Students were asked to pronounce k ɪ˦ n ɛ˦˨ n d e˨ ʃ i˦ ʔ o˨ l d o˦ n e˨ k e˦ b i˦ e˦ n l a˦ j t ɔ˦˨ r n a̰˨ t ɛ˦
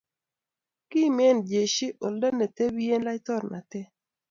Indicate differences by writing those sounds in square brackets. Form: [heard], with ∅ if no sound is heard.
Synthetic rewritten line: k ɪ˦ [m] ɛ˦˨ n [d͡ʒ] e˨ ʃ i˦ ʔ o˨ l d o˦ n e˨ [t] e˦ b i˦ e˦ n l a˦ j t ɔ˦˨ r n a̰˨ t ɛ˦